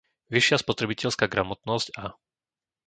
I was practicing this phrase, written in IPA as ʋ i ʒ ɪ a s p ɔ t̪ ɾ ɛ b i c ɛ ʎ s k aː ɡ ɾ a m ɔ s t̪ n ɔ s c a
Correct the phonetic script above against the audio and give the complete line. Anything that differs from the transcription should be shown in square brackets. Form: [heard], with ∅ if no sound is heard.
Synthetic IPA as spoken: ʋ i [ʃ] ɪ a s p ɔ t̪ ɾ ɛ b i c ɛ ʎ s k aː ɡ ɾ a m ɔ [∅] t̪ n ɔ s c a